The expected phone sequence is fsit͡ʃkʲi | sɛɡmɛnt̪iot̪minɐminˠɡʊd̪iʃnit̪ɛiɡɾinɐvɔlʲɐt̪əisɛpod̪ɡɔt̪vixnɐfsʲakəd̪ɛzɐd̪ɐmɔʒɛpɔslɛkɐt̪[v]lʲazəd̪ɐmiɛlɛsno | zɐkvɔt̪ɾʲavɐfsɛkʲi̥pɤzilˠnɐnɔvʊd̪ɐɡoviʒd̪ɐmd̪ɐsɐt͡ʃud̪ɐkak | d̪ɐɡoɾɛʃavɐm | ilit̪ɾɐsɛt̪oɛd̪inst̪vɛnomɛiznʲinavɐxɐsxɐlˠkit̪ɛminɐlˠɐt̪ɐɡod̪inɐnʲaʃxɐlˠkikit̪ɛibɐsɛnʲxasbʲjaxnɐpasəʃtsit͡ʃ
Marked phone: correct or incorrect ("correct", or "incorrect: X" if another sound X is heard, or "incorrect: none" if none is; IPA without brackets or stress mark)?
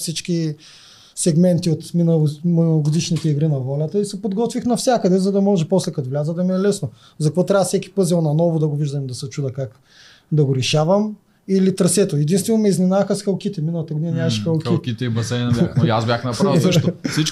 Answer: correct